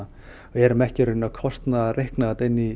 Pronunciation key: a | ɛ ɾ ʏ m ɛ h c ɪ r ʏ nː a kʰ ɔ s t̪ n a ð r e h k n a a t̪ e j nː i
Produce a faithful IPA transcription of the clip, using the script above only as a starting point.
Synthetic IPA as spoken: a | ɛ ɾ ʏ m ɛ h c ɪ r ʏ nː a kʰ ɔ s t̪ n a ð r e h k n a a t̪ e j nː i